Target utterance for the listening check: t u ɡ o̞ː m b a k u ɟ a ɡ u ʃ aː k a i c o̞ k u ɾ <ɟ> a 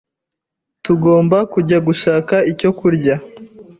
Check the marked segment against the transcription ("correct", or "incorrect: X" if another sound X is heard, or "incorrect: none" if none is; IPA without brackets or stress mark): correct